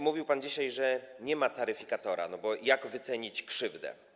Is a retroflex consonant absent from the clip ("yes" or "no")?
no